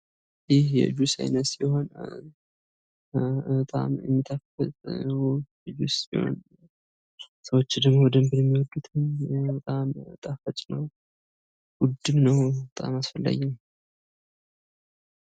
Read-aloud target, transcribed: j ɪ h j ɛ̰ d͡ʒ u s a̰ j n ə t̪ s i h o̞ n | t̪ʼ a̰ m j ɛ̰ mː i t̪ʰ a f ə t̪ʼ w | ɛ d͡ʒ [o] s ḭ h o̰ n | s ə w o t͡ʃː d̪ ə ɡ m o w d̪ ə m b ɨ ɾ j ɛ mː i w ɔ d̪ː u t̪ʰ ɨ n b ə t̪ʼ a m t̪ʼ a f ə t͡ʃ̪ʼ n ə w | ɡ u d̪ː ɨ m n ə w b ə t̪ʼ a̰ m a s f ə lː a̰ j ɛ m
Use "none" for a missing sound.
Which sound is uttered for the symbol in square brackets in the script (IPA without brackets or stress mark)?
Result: u